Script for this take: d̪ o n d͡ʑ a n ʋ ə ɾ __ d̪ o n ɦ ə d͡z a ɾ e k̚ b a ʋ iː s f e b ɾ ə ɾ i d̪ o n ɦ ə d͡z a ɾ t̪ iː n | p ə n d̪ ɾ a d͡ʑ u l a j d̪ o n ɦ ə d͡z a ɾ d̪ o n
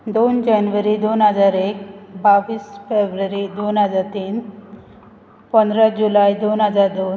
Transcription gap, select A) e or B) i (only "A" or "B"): B